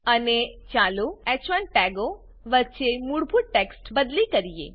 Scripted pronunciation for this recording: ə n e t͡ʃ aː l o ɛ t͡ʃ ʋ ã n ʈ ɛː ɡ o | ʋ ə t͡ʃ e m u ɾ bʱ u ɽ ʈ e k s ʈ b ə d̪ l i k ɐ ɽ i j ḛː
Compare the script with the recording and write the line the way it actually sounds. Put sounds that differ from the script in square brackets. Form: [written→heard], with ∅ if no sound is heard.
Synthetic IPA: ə n e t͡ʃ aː l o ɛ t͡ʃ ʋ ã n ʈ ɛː ɡ o | ʋ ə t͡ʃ e m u [ɾ→ɽ] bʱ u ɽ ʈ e k s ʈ b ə d̪ l i k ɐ [ɽ→ɾ] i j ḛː